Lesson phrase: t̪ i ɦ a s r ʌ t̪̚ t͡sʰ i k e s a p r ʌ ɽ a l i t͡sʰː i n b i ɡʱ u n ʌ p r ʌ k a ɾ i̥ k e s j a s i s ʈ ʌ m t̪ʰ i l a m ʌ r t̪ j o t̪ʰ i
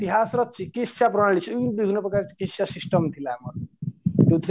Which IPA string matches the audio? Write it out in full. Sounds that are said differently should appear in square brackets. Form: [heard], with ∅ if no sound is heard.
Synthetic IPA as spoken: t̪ i ɦ a s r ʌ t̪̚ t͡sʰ i k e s a p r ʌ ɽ a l i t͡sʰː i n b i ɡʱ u n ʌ p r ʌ k a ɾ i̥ k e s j a s i s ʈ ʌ m t̪ʰ i l a m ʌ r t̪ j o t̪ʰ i